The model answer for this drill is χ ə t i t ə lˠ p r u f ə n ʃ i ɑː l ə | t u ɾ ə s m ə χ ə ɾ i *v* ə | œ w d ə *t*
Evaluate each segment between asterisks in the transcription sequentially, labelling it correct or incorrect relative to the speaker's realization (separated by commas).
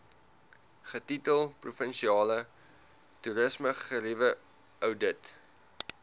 correct, correct